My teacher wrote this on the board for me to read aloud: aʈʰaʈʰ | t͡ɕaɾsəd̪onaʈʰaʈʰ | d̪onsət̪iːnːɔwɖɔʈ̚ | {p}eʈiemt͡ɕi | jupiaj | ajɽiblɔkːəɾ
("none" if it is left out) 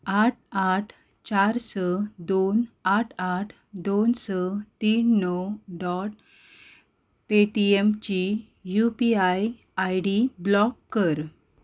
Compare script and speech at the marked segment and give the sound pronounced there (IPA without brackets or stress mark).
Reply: p